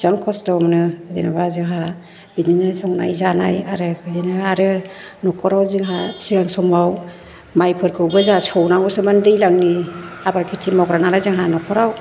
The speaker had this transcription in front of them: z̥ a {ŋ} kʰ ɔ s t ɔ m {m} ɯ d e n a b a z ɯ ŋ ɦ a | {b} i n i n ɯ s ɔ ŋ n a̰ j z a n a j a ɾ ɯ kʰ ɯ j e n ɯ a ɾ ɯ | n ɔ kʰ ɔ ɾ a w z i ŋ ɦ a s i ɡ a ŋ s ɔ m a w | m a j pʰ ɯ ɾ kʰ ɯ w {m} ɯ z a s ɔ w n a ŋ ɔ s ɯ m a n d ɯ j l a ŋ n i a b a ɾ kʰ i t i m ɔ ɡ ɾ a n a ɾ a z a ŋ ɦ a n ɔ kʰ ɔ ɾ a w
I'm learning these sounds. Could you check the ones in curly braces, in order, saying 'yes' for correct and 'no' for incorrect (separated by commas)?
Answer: yes, no, yes, no